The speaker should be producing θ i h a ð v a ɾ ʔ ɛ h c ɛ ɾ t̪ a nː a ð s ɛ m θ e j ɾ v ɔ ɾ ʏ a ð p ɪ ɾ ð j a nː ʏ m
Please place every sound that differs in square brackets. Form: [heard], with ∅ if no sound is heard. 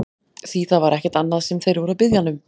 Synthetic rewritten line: θ i [θ] a ð v a ɾ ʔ ɛ h c ɛ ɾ t̪ a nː a ð s ɛ m θ e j ɾ v ɔ ɾ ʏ a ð p ɪ [∅] ð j a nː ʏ m